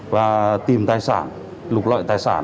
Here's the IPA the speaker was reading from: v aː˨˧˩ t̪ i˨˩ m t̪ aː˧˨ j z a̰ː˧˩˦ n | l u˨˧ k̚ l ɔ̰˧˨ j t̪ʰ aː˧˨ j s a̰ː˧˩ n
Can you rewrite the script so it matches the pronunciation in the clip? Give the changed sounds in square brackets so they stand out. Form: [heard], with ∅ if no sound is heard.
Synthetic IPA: v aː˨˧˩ t̪ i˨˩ m t̪ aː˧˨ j [s] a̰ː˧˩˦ n | l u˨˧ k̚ l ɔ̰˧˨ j [t̪] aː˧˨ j s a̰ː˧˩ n